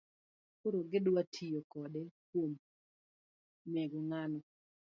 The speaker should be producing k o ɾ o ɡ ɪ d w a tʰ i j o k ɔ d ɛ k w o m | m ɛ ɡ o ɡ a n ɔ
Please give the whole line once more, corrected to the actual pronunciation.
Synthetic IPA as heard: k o ɾ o ɡ ɪ d w a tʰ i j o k ɔ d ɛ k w o m | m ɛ ɡ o ŋ a n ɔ

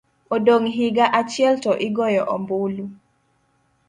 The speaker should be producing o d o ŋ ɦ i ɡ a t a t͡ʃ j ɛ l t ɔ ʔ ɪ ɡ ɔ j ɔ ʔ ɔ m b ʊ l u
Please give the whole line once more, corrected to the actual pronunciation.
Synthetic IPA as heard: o d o ŋ ɦ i ɡ a ʔ a t͡ʃ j ɛ l t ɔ ʔ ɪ ɡ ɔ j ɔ ʔ ɔ m b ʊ l u

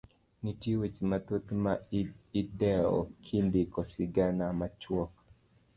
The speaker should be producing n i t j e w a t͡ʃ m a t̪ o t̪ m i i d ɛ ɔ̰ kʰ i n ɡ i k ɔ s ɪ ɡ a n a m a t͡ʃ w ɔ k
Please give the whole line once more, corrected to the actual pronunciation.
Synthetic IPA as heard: n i t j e w e t͡ʃ m a t̪ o t̪ m a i d ɛ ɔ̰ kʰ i n d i k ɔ s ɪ ɡ a n a m a t͡ʃ w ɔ k

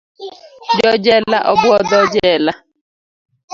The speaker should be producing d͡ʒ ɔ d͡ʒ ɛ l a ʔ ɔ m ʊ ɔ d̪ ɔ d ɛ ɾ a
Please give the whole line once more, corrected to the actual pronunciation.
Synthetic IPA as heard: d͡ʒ ɔ d͡ʒ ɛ l a ʔ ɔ b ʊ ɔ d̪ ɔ d͡ʒ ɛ l a

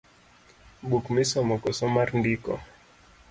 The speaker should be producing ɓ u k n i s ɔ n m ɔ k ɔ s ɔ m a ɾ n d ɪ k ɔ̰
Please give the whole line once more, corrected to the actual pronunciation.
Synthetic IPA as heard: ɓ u k m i s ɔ m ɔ k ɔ s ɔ m a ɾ n d i k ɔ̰

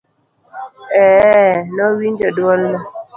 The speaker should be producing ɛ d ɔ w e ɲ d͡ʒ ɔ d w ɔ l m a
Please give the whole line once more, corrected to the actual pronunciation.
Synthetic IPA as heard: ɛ n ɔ w i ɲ d͡ʒ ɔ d w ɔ l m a

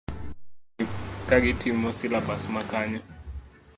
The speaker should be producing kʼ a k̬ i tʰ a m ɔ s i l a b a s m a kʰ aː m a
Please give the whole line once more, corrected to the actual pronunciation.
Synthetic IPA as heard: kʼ a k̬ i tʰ i m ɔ s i l a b a s m a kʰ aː ɲ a

